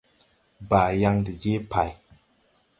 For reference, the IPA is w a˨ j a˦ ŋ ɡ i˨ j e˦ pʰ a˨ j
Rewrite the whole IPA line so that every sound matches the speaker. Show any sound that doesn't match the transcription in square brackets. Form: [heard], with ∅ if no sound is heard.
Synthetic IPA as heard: [b] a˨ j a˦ ŋ [d] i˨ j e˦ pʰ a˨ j